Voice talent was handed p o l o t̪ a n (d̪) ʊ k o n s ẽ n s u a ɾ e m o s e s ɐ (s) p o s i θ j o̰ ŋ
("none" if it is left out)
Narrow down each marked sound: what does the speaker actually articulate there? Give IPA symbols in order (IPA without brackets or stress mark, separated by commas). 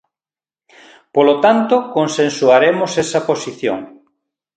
t̪, none